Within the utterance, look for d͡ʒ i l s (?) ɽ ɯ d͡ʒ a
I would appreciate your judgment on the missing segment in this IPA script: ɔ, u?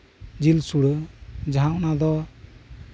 u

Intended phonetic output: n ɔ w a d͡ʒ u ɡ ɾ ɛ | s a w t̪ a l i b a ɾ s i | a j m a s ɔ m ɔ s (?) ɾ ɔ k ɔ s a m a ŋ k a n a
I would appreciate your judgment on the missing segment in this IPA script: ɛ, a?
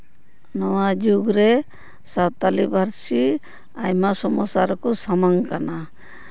a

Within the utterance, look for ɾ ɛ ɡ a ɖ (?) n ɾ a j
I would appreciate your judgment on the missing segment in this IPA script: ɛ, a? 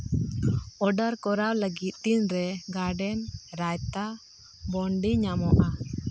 ɛ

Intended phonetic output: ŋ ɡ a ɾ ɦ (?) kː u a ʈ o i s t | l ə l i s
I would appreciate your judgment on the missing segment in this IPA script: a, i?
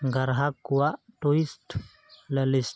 a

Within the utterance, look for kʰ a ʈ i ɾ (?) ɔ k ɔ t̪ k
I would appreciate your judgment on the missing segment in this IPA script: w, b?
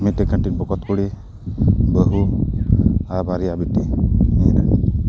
b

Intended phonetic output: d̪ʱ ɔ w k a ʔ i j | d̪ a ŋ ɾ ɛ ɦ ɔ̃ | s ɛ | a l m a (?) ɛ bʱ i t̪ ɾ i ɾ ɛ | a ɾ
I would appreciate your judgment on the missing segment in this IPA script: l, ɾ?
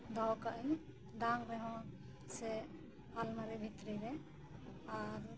ɾ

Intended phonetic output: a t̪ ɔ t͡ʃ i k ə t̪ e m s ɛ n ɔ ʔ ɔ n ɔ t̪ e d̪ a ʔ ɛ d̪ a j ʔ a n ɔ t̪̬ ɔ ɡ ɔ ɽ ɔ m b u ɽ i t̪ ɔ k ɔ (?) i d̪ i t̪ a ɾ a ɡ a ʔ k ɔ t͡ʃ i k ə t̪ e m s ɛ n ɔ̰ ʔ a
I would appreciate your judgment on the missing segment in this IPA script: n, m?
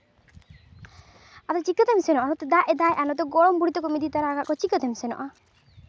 m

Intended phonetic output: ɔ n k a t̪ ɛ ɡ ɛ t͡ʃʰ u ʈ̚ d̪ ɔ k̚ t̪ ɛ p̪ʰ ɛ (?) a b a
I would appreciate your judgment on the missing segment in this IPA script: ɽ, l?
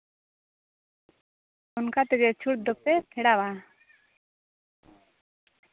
ɽ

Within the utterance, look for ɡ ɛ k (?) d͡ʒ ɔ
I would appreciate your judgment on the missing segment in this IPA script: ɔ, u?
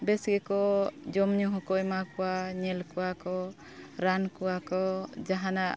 ɔ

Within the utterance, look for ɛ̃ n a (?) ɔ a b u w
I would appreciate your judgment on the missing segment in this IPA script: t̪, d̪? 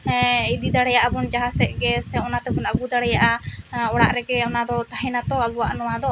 t̪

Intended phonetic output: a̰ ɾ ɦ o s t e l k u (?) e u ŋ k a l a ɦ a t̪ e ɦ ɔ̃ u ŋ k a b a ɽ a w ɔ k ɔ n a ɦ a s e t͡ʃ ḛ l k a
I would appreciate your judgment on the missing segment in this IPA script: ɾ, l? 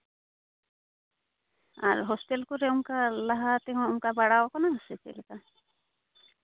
ɾ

